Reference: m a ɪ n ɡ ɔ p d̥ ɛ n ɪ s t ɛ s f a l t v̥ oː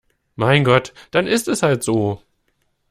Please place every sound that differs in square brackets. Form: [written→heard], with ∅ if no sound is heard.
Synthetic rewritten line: m a ɪ n ɡ ɔ [p→t] d̥ [ɛ→a] n ɪ s t ɛ s [f→h] a l t [v̥→z̥] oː